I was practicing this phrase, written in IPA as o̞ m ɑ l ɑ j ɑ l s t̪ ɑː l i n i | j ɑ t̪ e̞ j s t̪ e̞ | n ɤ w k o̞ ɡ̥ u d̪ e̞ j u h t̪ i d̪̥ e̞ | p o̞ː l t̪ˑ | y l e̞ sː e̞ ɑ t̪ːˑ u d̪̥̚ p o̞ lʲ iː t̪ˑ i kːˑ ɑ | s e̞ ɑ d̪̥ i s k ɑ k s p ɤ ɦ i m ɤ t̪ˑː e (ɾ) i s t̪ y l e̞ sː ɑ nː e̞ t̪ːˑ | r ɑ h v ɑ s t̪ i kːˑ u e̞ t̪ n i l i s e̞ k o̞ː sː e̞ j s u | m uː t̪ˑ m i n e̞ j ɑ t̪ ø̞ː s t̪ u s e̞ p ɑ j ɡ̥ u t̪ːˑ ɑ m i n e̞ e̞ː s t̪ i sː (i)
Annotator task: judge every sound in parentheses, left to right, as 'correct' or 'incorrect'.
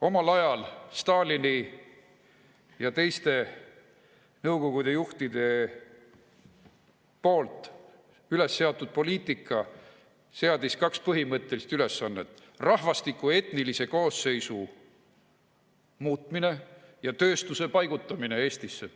incorrect: l, incorrect: e

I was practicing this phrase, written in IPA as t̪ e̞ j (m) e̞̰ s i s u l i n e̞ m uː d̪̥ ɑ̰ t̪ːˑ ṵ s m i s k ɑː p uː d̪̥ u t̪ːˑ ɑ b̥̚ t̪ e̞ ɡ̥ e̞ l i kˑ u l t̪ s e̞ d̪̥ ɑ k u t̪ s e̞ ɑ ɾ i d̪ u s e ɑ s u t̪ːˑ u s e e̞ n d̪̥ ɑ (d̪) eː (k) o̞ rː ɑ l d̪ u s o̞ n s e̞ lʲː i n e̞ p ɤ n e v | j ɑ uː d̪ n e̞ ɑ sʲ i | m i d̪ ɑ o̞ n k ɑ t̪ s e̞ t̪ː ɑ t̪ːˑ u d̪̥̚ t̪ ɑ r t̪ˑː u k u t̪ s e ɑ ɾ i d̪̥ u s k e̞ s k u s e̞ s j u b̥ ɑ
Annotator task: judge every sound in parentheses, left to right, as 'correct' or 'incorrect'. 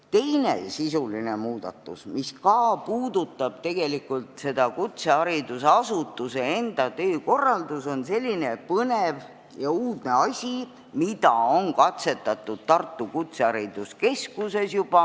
incorrect: n, incorrect: t̪, correct

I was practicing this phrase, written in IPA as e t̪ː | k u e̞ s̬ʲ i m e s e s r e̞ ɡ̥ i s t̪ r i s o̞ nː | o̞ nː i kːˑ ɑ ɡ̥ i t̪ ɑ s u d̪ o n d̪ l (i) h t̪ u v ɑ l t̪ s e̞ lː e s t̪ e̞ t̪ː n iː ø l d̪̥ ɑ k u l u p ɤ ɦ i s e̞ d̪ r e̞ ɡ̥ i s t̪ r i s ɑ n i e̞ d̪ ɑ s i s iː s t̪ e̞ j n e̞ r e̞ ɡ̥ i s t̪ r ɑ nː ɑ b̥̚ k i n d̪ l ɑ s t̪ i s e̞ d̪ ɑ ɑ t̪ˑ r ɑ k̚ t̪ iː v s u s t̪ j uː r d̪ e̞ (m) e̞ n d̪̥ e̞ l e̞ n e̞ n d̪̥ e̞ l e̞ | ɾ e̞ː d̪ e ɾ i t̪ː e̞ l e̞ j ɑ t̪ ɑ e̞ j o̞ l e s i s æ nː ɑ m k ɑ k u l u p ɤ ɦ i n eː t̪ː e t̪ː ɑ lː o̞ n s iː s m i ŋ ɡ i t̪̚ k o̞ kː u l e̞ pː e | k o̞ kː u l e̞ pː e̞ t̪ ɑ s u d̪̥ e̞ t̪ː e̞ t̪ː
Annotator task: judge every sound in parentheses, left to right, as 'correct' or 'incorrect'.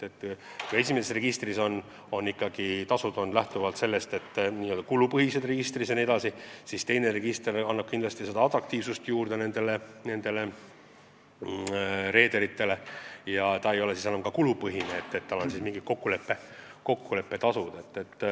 incorrect: æ, incorrect: n

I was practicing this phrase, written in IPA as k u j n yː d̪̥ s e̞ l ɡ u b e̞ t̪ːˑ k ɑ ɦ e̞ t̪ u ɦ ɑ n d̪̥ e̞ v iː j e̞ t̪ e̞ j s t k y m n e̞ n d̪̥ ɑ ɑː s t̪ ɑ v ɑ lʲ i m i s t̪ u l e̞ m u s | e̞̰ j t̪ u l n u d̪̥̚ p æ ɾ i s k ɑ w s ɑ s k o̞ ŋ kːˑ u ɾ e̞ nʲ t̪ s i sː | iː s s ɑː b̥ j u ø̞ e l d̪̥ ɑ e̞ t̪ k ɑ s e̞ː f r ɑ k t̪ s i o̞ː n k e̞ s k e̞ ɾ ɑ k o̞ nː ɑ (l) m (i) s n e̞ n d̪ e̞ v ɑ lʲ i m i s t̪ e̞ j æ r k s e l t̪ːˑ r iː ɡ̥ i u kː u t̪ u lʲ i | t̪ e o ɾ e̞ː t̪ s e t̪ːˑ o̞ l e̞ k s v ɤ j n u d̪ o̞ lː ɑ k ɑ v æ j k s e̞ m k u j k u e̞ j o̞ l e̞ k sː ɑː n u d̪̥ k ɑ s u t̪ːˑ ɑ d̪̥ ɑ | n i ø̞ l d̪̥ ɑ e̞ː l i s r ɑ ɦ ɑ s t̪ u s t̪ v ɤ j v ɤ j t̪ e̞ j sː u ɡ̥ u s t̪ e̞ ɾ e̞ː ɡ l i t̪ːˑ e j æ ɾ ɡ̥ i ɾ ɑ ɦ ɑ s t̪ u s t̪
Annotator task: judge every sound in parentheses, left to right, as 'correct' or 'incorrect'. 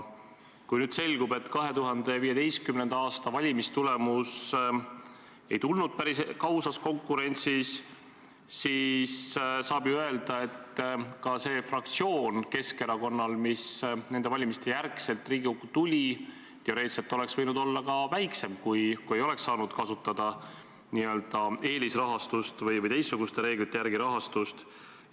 correct, correct

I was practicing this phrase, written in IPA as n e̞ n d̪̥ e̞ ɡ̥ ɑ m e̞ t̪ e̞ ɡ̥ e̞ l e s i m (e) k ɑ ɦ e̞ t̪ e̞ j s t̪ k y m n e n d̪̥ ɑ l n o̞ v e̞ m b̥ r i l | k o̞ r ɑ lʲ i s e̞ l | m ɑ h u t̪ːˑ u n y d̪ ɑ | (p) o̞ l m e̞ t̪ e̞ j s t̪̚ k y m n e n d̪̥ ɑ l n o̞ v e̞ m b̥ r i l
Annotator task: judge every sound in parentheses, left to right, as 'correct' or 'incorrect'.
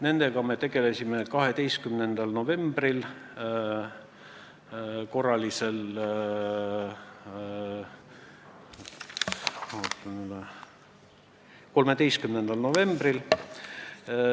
correct, incorrect: k

